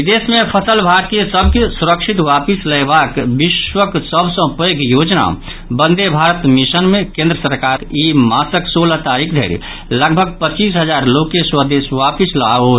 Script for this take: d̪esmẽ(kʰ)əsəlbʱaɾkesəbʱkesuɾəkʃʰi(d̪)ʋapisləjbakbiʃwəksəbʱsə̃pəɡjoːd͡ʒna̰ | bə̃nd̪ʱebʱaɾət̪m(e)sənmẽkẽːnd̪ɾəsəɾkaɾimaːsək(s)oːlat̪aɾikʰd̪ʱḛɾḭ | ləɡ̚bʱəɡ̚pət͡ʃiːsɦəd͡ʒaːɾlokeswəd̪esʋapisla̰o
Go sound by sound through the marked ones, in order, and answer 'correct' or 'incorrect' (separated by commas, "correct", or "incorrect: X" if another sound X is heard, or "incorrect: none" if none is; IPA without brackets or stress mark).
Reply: incorrect: pʰ, incorrect: t̪, incorrect: i, correct